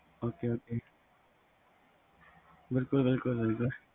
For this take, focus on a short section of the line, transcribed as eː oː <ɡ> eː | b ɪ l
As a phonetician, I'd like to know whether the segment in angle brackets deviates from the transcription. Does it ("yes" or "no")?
yes